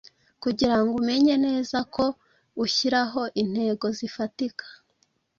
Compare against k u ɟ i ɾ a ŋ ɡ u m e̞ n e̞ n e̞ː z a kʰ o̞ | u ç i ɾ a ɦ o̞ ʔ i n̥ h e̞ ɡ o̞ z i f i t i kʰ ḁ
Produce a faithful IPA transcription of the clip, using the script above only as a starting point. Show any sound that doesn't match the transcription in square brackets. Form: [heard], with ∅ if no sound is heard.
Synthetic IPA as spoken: k u ɟ i ɾ a ŋ ɡ u m e̞ [ɲ] e̞ n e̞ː z a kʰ o̞ | u ç i ɾ a ɦ o̞ ʔ i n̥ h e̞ ɡ o̞ z i f [a] t i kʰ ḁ